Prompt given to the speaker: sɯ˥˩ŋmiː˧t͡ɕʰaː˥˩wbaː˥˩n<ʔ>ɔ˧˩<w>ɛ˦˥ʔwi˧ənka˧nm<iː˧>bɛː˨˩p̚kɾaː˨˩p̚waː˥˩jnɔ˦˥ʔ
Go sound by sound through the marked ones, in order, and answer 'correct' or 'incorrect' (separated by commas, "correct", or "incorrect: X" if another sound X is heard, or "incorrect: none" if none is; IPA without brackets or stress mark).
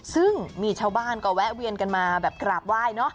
incorrect: k, correct, incorrect: aː˧